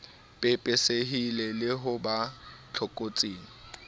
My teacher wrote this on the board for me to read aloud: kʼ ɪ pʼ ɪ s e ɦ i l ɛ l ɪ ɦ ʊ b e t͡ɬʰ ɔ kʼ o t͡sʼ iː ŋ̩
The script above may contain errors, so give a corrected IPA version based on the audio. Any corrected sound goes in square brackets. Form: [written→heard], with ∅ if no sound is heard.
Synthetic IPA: [kʼ→pʼ] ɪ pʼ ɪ s e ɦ i l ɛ l ɪ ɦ ʊ b [e→a] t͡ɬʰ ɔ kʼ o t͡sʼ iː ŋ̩